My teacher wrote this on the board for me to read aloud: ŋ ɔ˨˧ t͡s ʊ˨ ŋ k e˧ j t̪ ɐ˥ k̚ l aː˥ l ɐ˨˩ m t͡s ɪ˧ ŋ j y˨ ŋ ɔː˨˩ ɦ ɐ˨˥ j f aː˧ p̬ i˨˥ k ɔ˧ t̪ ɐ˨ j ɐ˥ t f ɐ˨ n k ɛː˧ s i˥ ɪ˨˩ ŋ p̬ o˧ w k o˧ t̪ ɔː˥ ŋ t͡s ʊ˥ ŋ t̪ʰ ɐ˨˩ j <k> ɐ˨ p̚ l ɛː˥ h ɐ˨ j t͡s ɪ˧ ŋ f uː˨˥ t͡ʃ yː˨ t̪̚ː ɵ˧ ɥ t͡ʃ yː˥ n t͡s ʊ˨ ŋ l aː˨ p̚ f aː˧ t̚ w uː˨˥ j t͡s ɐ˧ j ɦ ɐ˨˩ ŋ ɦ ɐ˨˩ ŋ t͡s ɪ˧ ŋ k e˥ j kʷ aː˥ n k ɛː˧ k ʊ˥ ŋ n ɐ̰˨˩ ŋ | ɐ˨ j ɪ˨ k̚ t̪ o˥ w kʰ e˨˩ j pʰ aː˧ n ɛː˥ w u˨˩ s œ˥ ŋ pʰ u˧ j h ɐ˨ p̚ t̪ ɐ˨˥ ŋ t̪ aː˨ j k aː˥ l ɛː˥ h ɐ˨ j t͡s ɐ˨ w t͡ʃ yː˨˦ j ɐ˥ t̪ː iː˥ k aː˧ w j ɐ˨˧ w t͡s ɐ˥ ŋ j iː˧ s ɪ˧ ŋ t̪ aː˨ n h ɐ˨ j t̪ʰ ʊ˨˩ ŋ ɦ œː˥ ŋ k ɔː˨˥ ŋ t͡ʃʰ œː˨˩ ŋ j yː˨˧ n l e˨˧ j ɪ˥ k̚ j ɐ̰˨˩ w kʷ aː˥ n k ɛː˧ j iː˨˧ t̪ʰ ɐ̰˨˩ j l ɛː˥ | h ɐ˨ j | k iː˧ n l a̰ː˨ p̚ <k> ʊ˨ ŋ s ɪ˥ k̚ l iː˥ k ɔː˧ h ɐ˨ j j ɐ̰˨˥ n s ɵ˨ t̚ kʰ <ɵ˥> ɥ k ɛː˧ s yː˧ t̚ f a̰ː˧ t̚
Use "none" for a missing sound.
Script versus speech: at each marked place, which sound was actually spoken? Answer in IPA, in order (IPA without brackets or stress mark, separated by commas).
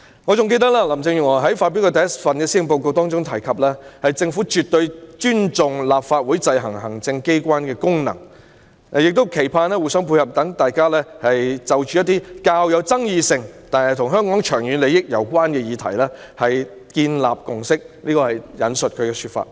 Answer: kʰ, k, ɵ˨˧